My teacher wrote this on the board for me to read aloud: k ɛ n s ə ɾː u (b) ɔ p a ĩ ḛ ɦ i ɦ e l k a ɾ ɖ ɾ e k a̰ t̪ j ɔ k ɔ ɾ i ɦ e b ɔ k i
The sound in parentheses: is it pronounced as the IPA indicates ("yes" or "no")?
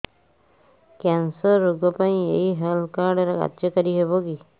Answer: no